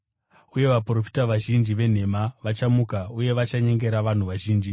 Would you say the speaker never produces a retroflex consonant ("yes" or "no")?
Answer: yes